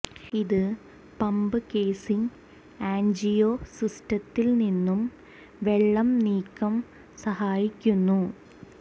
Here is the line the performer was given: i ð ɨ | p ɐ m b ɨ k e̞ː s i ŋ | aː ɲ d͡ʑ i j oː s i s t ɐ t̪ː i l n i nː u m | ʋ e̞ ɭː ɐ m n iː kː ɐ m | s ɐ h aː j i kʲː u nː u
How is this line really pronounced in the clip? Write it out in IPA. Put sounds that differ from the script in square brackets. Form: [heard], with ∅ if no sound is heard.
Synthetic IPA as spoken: i ð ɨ | p ɐ m b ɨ k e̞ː s i ŋ | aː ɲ d͡ʑ i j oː s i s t ɐ t̪ː i l n i nː u m | ʋ e̞ ɭː ɐ m n iː kː ɐ m | s ɐ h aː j i kʲː u nː u